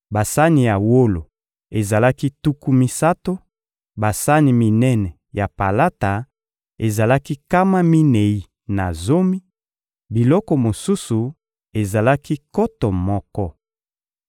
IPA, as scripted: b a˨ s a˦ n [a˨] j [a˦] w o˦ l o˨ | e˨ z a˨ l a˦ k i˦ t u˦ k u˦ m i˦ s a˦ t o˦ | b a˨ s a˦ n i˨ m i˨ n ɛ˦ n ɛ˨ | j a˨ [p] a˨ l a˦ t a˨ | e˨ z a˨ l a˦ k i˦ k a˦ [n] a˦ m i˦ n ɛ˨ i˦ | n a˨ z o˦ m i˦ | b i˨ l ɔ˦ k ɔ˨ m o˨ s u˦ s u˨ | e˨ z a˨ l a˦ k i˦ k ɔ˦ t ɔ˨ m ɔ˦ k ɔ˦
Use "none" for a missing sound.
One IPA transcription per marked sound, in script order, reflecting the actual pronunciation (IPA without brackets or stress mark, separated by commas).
i˨, a˨, p, m